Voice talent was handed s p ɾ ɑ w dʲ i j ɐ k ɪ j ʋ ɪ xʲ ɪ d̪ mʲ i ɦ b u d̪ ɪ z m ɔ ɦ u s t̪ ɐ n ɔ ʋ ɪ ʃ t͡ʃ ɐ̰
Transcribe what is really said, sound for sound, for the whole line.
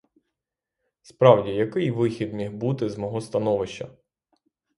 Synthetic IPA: s p ɾ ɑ w dʲ i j ɐ k ɪ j ʋ ɪ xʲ i d̪ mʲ i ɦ b u t̪ ɪ z m ɔ ɦ ɔ s t̪ ɐ n ɔ ʋ ɪ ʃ t͡ʃ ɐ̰